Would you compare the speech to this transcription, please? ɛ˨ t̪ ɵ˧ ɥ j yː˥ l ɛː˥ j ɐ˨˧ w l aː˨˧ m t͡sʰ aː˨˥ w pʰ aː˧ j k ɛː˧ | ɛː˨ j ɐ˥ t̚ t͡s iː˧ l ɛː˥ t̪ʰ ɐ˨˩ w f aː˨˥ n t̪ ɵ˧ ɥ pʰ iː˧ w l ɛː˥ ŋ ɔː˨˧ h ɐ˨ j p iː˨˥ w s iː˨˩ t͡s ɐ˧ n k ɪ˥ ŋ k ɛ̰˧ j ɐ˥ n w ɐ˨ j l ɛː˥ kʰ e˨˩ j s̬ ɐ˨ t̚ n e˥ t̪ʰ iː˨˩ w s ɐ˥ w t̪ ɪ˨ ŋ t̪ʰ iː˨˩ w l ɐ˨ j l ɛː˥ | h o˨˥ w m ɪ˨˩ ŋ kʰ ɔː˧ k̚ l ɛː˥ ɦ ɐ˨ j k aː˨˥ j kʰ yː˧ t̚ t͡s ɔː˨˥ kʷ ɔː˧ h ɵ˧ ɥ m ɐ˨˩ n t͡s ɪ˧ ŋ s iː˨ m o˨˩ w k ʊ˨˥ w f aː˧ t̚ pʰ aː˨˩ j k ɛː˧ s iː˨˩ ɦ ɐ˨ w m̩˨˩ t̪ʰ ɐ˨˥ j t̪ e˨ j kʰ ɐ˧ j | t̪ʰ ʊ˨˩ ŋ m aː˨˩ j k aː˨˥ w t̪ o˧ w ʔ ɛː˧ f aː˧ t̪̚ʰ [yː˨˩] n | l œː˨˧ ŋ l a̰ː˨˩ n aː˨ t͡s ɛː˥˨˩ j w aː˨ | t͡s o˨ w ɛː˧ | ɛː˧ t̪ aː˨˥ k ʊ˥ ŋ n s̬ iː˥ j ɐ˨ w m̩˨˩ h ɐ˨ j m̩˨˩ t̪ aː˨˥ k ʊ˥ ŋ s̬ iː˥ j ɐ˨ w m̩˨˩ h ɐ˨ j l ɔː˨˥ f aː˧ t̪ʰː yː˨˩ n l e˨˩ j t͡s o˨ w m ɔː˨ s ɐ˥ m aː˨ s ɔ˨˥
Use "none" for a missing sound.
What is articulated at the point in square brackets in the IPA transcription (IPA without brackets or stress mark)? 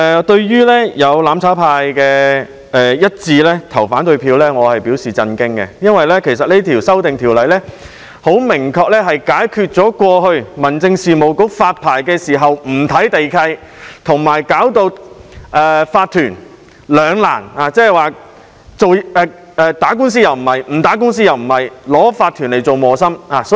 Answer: yː˨˩